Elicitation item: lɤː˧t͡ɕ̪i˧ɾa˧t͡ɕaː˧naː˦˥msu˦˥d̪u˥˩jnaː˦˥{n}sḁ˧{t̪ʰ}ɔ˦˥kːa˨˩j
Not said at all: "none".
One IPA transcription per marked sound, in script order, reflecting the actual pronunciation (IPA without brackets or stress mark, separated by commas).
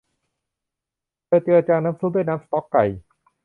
m, t̪